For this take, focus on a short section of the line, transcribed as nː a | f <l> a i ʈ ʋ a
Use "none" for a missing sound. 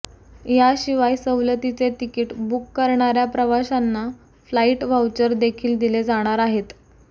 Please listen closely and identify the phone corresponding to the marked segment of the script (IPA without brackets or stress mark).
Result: l